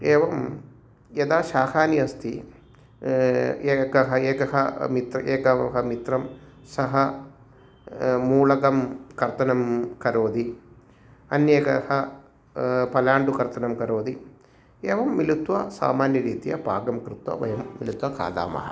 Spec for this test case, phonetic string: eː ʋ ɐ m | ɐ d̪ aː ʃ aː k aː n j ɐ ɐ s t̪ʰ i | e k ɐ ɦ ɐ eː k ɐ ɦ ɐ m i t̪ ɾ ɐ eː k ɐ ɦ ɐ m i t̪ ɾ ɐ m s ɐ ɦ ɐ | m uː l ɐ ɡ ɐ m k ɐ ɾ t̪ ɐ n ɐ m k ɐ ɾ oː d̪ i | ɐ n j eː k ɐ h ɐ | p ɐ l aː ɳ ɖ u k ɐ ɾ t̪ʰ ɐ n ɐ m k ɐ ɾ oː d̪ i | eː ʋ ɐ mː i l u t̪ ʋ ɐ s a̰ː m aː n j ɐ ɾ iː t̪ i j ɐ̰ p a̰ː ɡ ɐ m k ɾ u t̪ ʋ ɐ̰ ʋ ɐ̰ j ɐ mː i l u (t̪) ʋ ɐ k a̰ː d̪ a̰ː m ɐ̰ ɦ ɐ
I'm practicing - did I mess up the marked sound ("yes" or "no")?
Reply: no